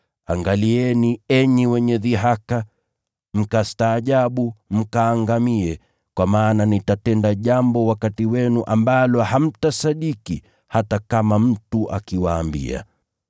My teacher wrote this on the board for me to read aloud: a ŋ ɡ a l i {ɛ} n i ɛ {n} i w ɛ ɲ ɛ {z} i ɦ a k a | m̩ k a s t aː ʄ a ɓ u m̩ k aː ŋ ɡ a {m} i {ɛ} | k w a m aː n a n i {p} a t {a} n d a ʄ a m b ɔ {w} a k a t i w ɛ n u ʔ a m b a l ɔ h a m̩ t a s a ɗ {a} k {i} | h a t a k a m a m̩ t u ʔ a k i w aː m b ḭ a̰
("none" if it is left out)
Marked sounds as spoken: ɛ, ɲ, ð, m, ɛ, t, ɛ, w, i, i

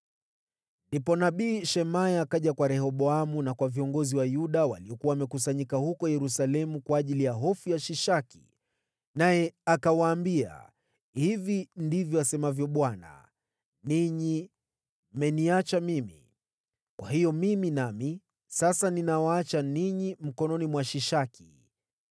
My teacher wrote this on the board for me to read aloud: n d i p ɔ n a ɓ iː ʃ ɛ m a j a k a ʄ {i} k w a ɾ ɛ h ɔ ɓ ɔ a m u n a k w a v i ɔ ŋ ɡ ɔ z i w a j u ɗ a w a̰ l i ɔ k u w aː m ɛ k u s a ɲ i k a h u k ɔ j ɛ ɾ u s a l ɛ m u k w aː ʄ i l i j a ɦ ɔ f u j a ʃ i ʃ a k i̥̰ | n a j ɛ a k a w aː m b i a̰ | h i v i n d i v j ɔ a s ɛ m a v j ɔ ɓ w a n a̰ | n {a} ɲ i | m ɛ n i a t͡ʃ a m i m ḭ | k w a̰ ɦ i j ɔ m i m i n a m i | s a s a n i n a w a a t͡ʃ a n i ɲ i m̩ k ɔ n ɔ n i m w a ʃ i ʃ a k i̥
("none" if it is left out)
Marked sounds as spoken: a, i

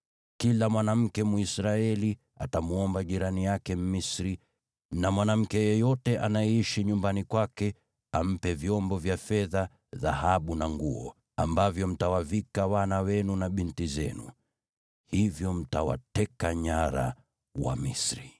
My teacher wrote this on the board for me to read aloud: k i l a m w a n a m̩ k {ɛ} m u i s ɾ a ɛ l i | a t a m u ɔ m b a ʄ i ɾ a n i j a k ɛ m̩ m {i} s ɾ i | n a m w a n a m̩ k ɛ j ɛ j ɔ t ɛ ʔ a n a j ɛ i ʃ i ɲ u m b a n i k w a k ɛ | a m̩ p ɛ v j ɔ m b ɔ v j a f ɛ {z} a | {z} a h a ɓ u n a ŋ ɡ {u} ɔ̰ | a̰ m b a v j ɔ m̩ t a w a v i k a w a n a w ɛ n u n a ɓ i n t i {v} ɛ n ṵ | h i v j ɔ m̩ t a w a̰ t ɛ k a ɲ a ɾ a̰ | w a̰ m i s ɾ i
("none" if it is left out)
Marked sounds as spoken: ɛ, i, ð, ð, u, z

